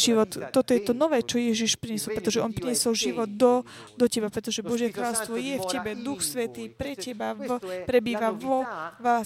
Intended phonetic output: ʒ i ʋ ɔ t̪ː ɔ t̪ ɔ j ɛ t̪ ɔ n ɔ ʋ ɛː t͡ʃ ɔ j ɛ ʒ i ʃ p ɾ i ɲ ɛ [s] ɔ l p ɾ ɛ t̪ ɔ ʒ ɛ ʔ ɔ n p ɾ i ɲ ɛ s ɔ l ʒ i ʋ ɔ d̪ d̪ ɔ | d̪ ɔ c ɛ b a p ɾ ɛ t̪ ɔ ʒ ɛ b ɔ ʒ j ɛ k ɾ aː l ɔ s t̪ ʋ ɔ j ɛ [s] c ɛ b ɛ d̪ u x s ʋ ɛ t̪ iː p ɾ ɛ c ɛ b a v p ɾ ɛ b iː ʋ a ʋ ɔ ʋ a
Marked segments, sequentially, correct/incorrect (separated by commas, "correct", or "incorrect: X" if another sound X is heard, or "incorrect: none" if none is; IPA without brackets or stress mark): correct, incorrect: f